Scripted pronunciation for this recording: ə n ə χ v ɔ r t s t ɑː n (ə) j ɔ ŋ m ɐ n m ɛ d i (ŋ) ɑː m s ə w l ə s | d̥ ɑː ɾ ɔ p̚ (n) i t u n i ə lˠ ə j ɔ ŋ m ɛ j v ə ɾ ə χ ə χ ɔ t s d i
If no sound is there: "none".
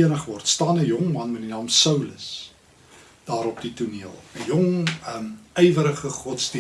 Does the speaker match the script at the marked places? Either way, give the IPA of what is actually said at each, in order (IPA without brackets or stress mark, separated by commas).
ə, n, d